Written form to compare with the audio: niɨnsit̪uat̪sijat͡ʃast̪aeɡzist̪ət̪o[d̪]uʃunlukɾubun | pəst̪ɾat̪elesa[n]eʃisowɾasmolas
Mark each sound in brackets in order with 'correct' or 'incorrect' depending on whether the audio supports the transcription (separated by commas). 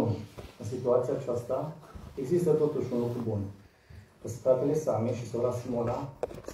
incorrect, incorrect